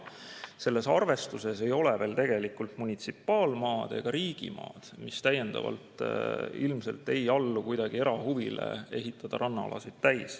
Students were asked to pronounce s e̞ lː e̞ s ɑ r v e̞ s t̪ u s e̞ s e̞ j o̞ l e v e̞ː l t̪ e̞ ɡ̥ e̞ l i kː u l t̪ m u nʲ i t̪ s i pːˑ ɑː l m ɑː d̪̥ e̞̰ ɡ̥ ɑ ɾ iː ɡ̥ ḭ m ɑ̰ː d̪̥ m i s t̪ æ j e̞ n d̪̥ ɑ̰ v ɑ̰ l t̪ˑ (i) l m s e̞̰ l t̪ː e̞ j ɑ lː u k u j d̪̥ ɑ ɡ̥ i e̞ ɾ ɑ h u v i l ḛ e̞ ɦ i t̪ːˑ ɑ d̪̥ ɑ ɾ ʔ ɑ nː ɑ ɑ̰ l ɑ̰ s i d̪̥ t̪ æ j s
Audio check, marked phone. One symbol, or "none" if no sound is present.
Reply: i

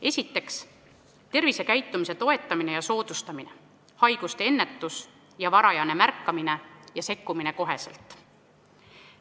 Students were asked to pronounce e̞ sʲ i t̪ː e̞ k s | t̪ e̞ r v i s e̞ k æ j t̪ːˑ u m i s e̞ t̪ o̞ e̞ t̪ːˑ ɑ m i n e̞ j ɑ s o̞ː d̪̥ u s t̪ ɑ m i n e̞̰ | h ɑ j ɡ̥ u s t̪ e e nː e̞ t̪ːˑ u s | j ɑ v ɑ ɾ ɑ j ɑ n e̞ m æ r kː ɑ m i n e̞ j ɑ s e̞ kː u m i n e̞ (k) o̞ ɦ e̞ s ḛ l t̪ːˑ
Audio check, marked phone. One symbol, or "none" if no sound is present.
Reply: k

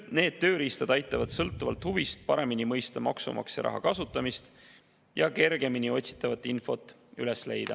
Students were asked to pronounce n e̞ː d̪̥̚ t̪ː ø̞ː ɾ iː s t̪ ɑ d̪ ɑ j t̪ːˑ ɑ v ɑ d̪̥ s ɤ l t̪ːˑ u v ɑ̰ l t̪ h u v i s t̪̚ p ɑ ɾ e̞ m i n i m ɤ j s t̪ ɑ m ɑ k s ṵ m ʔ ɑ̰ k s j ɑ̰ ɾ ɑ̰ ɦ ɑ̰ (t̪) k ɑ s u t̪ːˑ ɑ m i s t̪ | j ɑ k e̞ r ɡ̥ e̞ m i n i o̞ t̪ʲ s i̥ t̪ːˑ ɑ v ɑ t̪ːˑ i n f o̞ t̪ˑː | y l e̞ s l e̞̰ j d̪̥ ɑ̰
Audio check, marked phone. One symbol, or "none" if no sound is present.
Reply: none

